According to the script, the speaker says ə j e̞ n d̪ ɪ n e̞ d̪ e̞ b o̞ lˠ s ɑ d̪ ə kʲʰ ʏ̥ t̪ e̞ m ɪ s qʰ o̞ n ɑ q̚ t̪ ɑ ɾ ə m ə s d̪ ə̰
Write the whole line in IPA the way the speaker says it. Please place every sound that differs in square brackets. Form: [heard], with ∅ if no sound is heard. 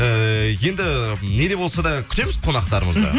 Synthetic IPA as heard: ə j e̞ n d̪ ɪ n e̞ d̪ e̞ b o̞ lˠ s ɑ d̪ [ɑ] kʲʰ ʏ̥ t̪ e̞ m ɪ [z] qʰ o̞ n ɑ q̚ t̪ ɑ ɾ ə m ə [z] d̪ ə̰